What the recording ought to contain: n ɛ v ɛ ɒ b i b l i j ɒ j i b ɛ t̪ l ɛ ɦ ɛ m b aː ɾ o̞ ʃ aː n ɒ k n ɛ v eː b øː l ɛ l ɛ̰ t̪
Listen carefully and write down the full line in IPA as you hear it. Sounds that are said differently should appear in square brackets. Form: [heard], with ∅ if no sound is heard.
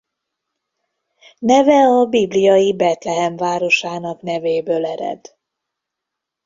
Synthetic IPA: n ɛ v ɛ ɒ b i b l i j ɒ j i b ɛ t̪ l ɛ ɦ ɛ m [v] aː ɾ o̞ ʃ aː n ɒ k n ɛ v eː b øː l ɛ [ɾ] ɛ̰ [d̪]